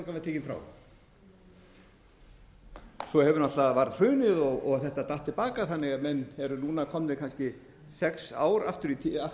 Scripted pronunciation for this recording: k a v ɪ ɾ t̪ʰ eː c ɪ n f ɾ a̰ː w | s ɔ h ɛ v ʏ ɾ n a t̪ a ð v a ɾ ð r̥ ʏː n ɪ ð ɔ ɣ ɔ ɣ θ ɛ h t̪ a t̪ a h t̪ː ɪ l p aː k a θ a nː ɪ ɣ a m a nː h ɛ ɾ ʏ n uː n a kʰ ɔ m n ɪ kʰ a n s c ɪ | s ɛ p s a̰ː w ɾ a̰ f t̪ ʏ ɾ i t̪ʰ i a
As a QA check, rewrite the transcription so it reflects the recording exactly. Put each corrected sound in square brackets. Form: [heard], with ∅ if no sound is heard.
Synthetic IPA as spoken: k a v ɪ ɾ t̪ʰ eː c ɪ n f ɾ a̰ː w | s ɔ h ɛ v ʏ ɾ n a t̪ a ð v a ɾ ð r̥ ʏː n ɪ ð ɔ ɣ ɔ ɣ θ ɛ h t̪ a t̪ a h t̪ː ɪ l p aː k a θ a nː ɪ ɣ a m [ɛ] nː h ɛ ɾ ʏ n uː n a kʰ ɔ m n ɪ kʰ a n s c ɪ | s ɛ [k] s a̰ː w ɾ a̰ f t̪ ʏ ɾ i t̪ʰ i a